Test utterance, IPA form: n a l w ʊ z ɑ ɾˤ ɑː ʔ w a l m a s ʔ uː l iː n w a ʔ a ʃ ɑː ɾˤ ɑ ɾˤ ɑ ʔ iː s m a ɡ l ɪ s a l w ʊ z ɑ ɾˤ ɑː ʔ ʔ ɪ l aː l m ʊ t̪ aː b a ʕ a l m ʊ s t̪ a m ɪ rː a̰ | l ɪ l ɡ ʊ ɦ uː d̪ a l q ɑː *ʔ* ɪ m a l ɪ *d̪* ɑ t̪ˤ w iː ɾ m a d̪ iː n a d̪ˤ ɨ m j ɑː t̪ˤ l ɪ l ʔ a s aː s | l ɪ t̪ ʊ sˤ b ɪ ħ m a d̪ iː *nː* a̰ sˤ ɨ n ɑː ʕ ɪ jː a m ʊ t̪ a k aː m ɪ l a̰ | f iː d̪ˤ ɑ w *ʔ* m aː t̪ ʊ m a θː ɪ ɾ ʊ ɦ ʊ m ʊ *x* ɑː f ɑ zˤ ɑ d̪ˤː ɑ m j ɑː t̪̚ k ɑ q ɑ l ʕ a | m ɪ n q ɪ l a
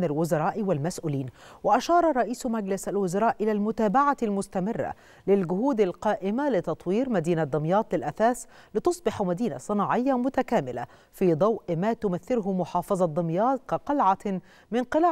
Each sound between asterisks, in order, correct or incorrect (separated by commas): correct, incorrect, incorrect, correct, incorrect